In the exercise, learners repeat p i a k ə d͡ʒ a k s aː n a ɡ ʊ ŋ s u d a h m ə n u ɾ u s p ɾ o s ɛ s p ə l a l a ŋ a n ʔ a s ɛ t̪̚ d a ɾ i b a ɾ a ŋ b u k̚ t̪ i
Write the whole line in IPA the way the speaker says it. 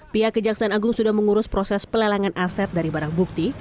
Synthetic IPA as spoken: p i a k ə d͡ʒ a k s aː n a ɡ ʊ ŋ s u d a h m ə ŋ u ɾ ʊ s p ɾ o s ɛ s p ə l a l a ŋ a n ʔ a s ɛ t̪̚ d a ɾ i b a ɾ a ŋ b u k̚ t̪ i